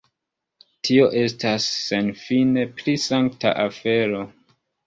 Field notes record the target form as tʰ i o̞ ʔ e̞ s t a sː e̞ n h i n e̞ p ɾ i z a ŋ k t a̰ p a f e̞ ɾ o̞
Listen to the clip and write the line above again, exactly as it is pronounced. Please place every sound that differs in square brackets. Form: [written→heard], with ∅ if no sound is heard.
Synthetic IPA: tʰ i o̞ ʔ e̞ s t a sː e̞ n [h→f] i n e̞ p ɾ i [z→s] a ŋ k t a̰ [p→ʔ] a f e̞ ɾ o̞